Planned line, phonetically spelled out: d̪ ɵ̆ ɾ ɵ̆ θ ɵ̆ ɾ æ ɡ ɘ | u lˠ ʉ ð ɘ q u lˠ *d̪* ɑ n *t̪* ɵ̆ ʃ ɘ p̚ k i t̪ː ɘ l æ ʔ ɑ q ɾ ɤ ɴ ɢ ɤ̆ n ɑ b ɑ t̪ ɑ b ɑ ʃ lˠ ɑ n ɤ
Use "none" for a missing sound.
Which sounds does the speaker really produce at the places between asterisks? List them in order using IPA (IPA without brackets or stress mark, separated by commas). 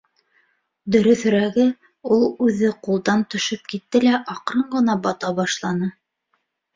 d̪, t̪